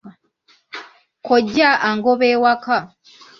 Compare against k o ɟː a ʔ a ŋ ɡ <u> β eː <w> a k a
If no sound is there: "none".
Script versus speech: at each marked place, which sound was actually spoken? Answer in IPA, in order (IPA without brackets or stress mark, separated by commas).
o, w